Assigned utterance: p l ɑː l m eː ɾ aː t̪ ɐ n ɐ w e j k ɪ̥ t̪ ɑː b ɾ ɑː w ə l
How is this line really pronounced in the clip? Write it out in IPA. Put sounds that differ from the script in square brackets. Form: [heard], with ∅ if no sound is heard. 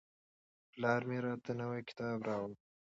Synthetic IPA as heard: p l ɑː [ɾ] m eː ɾ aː t̪ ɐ n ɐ w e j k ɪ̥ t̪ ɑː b ɾ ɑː w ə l